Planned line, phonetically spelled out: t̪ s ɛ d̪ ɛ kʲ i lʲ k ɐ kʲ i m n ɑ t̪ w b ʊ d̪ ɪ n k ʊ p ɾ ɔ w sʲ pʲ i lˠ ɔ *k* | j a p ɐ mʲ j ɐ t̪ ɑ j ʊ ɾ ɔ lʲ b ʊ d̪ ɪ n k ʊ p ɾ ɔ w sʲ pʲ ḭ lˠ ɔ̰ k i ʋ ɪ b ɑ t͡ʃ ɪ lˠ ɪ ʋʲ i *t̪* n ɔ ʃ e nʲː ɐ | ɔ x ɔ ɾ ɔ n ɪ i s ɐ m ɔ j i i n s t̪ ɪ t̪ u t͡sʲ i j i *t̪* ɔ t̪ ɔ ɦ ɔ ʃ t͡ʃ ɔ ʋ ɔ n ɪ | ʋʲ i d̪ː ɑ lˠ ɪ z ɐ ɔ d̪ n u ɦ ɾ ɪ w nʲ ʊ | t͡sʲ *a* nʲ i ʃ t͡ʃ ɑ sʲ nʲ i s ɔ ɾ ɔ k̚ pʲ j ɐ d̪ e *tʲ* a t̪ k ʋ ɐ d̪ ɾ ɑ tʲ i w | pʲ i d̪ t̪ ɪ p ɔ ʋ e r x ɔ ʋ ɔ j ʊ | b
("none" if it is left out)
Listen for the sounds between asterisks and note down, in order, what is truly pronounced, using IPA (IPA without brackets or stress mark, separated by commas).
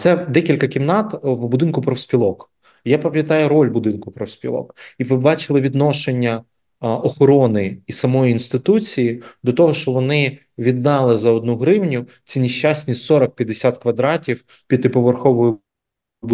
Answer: k, d̪, d̪, i, sʲ